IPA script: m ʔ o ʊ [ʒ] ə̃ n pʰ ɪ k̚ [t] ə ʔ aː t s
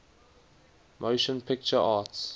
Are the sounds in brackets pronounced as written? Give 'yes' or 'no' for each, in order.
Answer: no, no

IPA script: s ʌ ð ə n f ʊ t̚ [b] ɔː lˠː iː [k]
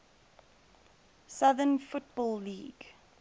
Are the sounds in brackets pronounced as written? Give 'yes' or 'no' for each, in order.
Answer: yes, no

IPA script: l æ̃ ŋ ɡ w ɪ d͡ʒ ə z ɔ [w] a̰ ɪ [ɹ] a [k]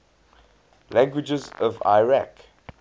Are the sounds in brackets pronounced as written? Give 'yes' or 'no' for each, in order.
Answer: no, yes, yes

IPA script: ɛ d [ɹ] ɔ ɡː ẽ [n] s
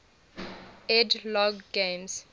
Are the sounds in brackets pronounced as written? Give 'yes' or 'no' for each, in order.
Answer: no, no

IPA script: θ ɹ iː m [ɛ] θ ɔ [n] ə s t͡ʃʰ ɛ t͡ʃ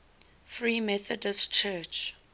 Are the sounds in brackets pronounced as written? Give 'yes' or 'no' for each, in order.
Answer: yes, no

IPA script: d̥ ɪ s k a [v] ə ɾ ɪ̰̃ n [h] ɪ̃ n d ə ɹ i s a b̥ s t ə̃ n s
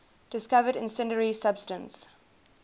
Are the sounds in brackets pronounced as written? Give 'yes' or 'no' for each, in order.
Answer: yes, no

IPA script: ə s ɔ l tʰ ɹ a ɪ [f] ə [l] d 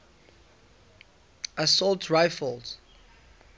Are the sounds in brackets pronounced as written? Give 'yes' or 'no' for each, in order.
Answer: yes, yes

